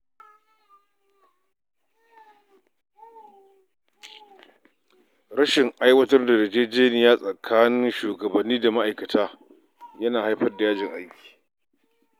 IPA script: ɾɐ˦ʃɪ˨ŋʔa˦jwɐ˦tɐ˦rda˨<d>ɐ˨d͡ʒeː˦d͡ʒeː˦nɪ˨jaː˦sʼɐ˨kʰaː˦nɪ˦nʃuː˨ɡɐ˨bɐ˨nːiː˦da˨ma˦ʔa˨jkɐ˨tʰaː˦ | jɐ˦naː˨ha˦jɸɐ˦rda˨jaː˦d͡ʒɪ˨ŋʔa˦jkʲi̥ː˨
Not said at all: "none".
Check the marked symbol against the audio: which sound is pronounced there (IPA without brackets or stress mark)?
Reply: d